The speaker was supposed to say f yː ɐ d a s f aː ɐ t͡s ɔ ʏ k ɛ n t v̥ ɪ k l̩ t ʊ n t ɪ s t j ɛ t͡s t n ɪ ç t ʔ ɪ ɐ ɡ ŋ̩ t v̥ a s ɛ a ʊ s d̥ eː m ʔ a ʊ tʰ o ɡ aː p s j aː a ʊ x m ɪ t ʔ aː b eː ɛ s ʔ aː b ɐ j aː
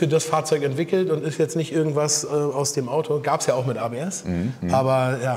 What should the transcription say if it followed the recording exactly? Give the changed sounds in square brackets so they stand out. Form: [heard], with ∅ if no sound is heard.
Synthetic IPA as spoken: f yː ɐ d a s f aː ɐ t͡s ɔ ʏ k ɛ n t v̥ ɪ k l̩ t ʊ n t ɪ s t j ɛ t͡s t n ɪ ç t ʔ ɪ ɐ ɡ ŋ̩ t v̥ a s ɛ a ʊ s d̥ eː m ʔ a ʊ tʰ o ɡ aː p s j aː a ʊ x m ɪ t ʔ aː b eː ɛ s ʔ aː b ɐ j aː

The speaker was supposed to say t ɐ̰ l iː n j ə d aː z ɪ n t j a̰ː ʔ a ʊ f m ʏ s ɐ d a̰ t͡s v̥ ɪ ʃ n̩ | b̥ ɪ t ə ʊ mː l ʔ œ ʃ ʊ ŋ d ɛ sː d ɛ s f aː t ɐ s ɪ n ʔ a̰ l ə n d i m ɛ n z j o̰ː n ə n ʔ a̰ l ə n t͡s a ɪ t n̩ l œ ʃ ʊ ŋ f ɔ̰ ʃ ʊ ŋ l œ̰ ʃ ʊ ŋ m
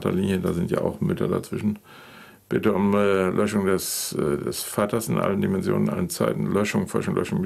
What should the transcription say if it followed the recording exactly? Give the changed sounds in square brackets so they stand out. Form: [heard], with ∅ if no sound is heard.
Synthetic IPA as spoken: t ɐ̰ l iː n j ə d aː z ɪ n t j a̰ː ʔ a ʊ [x] m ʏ [t] ɐ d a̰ t͡s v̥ ɪ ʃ n̩ | b̥ ɪ t ə ʊ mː l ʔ œ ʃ ʊ ŋ d ɛ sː d ɛ s f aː t ɐ s ɪ n ʔ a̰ l ə n d i m ɛ n z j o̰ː n ə n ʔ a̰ l ə n t͡s a ɪ t n̩ l œ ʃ ʊ ŋ f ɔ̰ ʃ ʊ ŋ l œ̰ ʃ ʊ ŋ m

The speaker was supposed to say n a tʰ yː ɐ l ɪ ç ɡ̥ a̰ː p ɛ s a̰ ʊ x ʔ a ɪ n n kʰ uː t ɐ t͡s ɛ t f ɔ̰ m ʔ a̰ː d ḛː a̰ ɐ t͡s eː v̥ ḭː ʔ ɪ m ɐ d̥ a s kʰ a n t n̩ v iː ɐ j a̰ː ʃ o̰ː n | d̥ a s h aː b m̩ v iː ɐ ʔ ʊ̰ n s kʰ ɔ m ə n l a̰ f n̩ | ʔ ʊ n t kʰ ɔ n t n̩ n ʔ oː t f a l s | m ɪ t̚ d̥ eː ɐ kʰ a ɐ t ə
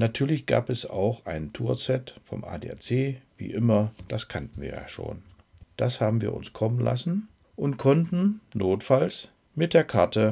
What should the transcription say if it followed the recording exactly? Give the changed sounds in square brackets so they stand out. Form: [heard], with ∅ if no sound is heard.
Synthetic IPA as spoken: n a tʰ yː ɐ l ɪ ç ɡ̥ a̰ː p ɛ s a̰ ʊ x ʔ a ɪ n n [tʰ] uː [∅] ɐ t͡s ɛ t f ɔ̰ m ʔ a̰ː d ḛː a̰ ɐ t͡s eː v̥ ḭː ʔ ɪ m ɐ d̥ a s kʰ a n t n̩ v iː ɐ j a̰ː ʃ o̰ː n | d̥ a s h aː b m̩ v iː ɐ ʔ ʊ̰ n s kʰ ɔ m ə n l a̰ [s] n̩ | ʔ ʊ n t kʰ ɔ n t n̩ n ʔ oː t f a l s | m ɪ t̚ d̥ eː ɐ kʰ a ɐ t ə

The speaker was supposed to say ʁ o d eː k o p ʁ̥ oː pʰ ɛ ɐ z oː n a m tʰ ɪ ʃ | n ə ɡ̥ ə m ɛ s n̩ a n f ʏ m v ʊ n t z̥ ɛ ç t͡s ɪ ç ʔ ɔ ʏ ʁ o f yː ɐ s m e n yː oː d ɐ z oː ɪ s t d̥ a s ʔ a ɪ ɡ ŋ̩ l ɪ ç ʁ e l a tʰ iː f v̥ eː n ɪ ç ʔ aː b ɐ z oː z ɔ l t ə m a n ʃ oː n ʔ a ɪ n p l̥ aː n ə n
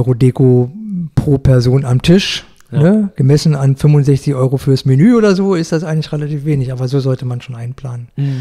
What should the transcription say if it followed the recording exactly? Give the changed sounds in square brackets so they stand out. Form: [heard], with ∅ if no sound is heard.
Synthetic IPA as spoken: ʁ o d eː k o p ʁ̥ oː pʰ ɛ ɐ z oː n a m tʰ ɪ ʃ | n ə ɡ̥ ə m ɛ s n̩ a n f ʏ m v ʊ n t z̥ ɛ ç t͡s ɪ ç ʔ ɔ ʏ ʁ o f yː ɐ s m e n yː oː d ɐ z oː ɪ s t d̥ a s ʔ a ɪ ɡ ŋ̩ l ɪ ç ʁ e l a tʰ iː f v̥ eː n ɪ ç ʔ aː b ɐ z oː z ɔ l t ə m a n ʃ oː n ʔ a ɪ n p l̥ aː n ə n

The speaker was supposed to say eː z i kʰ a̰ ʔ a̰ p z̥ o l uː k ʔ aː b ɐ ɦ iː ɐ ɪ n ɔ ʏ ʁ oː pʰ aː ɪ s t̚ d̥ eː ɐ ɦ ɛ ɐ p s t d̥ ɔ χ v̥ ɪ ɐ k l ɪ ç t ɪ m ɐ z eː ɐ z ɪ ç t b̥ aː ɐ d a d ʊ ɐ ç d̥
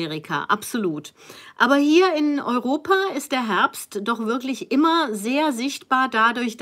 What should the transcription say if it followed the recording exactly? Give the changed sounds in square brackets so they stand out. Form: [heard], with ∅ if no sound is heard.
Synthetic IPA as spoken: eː [ʁ] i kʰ a̰ ʔ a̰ p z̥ o l uː [t] ʔ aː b ɐ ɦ iː ɐ ɪ n ɔ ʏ ʁ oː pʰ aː ɪ s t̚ d̥ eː ɐ ɦ ɛ ɐ p s t d̥ ɔ χ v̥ ɪ ɐ k l ɪ ç [ʔ] ɪ m ɐ z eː ɐ z ɪ ç t b̥ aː ɐ d a d ʊ ɐ ç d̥

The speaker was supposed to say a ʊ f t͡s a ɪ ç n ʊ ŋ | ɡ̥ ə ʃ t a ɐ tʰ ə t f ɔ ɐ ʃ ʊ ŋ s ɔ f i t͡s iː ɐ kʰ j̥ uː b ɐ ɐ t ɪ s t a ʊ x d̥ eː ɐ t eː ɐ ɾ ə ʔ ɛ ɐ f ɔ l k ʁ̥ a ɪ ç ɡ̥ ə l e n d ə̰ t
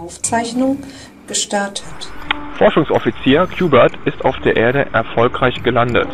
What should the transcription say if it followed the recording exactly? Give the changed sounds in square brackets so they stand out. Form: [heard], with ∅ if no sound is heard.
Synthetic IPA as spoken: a ʊ f t͡s a ɪ ç n ʊ ŋ | ɡ̥ ə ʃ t a ɐ tʰ ə t f ɔ ɐ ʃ ʊ ŋ s ɔ f i t͡s iː ɐ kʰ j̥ uː b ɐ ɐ t ɪ s t a ʊ [f] d̥ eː ɐ [ʔ] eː ɐ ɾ ə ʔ ɛ ɐ f ɔ l k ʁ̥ a ɪ ç ɡ̥ ə l [a] n d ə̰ t

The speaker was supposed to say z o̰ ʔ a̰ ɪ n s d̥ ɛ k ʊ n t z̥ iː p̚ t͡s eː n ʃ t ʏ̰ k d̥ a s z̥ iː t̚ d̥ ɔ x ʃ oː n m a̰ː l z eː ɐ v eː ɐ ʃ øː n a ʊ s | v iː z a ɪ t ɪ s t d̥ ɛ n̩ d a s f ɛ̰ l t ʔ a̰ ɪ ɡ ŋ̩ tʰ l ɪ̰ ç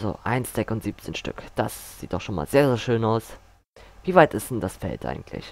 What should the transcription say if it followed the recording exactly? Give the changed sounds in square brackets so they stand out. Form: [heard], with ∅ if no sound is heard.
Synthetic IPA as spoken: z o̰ ʔ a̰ ɪ n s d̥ ɛ k ʊ n t z̥ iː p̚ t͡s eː n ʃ t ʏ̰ k d̥ a s z̥ iː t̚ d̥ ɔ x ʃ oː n m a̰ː l z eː ɐ [z] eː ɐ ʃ øː n a ʊ s | v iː [v] a ɪ t ɪ s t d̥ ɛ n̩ d a s f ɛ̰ l t ʔ a̰ ɪ ɡ ŋ̩ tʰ l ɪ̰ ç

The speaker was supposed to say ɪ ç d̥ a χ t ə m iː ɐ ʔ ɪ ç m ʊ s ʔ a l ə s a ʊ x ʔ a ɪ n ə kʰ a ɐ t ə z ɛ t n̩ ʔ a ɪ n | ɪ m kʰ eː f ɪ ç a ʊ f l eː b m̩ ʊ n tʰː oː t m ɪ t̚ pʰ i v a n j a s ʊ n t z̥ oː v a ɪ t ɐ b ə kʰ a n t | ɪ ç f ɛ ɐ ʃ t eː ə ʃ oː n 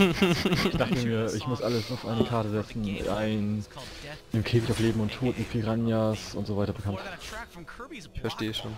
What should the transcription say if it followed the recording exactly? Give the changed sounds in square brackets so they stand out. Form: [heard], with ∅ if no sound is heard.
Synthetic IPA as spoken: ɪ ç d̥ a χ t ə m iː ɐ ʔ ɪ ç m ʊ s ʔ a l ə s a ʊ [f] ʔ a ɪ n ə kʰ a ɐ t ə z ɛ [t͡s] n̩ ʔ a ɪ n | ɪ m kʰ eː f ɪ ç a ʊ f l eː b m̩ ʊ n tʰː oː t m ɪ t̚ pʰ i [ʁ] a n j a s ʊ n t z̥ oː v a ɪ t ɐ b ə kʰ a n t | ɪ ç f ɛ ɐ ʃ t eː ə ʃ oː n

